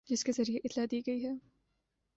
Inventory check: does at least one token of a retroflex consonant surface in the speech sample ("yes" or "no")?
no